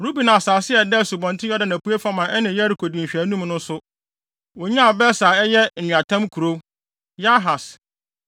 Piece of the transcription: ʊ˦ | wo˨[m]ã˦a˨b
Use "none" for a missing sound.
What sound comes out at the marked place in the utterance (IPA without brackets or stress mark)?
ɲ